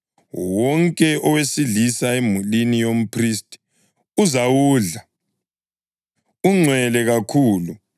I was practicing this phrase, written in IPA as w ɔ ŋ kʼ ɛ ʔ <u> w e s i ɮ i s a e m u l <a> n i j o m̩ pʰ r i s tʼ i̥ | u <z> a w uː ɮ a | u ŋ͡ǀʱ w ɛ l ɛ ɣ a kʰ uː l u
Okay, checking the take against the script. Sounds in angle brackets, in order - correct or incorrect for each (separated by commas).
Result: incorrect, incorrect, correct